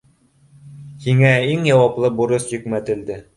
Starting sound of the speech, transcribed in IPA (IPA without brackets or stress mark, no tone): h